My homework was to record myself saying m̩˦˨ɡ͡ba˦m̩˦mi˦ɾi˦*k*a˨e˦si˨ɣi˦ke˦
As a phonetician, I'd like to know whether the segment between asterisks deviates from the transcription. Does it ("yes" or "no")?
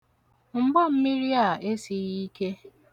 yes